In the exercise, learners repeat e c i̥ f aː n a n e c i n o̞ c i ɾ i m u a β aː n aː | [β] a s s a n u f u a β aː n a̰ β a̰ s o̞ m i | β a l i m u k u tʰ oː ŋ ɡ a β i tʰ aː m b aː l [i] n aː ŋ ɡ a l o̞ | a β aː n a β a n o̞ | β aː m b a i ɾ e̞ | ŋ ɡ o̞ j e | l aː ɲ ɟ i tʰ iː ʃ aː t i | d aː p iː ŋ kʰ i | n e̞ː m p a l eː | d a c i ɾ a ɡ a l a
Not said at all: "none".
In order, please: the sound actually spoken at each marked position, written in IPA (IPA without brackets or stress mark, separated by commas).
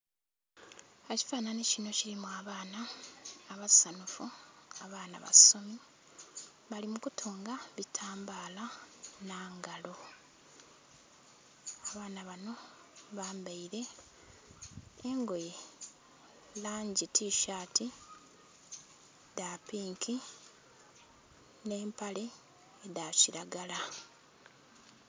β, a